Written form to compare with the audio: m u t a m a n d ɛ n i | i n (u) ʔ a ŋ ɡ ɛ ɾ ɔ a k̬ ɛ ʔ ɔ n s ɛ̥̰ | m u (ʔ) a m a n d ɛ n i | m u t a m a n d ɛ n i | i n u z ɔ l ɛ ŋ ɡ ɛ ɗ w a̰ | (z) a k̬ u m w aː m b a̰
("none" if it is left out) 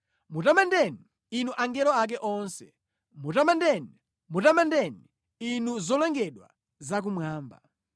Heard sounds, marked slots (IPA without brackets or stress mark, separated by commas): u, t, z